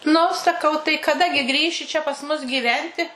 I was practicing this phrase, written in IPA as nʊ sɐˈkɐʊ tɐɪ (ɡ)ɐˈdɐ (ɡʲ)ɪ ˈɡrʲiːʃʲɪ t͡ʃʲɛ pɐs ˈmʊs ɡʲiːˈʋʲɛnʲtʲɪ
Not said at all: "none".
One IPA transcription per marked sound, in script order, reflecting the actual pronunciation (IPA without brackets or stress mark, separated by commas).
k, ɡʲ